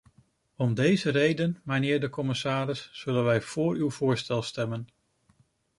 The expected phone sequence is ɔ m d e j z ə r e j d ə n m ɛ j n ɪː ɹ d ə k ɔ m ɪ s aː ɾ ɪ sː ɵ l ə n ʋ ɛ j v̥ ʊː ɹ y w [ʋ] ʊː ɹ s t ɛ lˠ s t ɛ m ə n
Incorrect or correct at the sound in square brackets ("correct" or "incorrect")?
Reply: incorrect